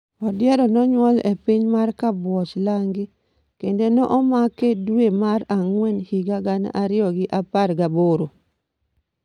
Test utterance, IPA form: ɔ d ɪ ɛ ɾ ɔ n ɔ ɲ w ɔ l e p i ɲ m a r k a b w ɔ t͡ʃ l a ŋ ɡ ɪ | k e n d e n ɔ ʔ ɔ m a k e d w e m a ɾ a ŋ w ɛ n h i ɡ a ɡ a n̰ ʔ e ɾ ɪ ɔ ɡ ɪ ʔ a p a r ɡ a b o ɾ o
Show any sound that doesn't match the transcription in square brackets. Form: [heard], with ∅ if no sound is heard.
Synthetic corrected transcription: ɔ d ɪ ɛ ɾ ɔ n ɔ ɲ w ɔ l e p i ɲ m a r k a b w ɔ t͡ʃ l a ŋ ɡ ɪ | k e n d e n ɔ ʔ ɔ m a k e d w e m a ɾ a ŋ w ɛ n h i ɡ a ɡ a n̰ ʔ [a] ɾ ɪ ɔ ɡ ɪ ʔ a p a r ɡ a b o ɾ o